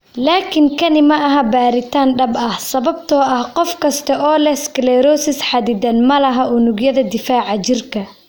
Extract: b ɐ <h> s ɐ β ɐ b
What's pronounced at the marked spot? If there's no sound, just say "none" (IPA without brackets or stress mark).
h